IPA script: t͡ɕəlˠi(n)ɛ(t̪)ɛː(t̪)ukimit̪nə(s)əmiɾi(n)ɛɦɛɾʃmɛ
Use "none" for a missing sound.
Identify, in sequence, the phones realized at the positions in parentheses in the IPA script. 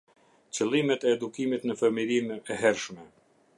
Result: m, t̪, d̪, f, m

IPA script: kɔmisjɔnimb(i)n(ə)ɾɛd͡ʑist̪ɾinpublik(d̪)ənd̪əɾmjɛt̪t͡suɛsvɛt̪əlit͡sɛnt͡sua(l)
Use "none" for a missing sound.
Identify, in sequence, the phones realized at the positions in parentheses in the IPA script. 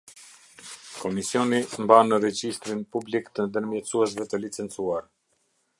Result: a, ə, t̪, ɾ

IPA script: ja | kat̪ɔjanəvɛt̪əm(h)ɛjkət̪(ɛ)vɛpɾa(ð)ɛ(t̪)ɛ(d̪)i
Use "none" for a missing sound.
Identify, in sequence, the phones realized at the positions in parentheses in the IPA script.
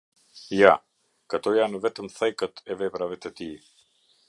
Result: θ, ɛ, v, t̪, t̪

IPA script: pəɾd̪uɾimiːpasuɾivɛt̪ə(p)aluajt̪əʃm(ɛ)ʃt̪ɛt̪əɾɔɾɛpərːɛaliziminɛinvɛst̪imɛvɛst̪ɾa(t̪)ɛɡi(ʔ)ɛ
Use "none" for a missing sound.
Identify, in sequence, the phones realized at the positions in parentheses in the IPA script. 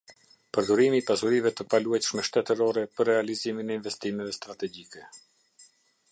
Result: p, ɛ, t̪, k

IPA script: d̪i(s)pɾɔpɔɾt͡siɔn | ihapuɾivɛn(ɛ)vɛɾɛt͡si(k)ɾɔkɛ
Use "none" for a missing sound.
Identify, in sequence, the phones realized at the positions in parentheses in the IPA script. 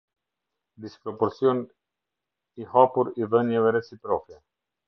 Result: s, ɛ, p

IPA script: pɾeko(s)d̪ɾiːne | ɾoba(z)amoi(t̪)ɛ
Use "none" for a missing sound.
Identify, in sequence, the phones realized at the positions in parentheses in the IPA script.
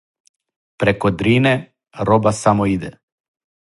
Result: none, s, d̪

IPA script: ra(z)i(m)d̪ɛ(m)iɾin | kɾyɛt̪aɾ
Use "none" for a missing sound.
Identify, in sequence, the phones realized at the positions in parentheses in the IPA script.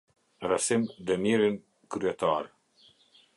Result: s, m, m

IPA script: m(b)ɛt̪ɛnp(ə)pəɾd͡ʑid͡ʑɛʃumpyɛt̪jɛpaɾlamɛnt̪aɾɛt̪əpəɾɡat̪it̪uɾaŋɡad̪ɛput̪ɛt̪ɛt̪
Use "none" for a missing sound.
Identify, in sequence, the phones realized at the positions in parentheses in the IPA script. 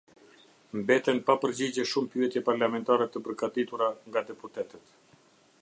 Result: b, a

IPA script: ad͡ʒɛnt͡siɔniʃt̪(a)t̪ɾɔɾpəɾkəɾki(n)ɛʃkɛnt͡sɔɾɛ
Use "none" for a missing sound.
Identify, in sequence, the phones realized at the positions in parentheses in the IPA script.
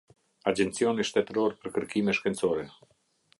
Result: ɛ, m

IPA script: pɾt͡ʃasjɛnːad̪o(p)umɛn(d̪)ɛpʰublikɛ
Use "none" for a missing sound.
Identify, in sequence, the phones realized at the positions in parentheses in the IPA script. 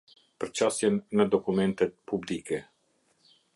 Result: k, t̪

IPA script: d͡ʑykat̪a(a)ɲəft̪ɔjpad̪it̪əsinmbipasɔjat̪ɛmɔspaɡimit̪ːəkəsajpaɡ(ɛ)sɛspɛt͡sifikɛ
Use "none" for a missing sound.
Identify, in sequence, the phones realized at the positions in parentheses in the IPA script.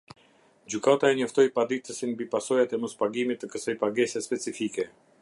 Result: ɛ, ɛ

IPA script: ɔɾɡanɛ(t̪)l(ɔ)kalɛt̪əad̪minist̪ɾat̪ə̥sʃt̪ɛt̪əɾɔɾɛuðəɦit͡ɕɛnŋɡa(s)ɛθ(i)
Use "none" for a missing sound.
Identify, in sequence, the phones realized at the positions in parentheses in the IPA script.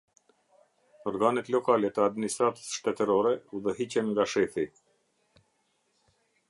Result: t̪, ɔ, ʃ, i

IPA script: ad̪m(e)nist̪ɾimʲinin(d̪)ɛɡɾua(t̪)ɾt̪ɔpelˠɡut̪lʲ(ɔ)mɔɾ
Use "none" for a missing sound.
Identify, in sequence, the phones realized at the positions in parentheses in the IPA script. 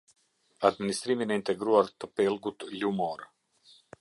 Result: i, t̪, none, u

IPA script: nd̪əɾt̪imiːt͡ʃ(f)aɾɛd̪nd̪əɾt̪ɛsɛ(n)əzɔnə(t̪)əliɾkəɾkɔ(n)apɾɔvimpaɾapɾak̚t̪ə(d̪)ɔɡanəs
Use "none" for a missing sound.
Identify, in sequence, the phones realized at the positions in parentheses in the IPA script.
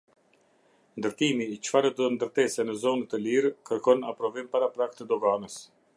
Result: f, n, t̪, n, d̪

